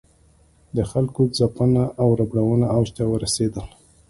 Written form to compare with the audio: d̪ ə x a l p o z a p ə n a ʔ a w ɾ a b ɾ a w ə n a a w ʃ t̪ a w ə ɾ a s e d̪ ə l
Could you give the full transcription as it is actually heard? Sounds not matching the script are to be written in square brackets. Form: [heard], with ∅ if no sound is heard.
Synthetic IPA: d̪ ə x a l [k] o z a p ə n a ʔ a w ɾ a b [ɽ] a w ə n a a w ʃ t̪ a w ə ɾ a s e d̪ ə l